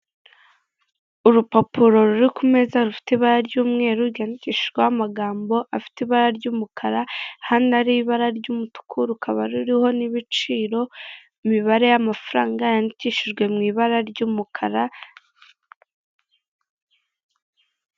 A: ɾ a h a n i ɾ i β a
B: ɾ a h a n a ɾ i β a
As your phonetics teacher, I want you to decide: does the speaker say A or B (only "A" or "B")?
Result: B